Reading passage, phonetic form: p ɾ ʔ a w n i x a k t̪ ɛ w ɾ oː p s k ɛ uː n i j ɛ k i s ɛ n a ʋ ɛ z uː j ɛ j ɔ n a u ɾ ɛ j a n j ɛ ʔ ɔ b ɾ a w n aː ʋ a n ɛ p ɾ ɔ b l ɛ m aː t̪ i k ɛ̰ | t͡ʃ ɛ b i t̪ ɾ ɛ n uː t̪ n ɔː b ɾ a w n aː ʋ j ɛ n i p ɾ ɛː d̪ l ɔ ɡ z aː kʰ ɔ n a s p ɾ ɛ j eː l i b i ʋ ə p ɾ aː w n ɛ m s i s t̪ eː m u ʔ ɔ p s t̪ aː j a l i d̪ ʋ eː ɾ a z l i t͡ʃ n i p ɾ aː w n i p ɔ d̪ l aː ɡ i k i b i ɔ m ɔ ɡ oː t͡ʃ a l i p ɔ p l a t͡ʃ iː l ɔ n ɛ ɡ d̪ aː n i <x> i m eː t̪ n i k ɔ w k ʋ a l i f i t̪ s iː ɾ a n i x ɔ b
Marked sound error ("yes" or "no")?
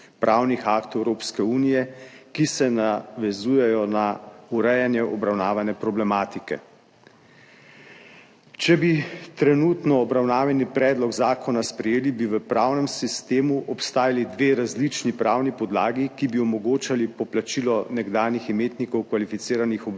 no